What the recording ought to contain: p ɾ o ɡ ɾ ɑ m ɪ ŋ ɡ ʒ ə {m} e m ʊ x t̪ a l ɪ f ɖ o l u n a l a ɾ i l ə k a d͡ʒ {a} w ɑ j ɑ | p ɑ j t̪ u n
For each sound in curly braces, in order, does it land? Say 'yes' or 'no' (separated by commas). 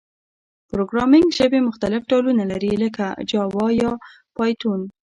no, no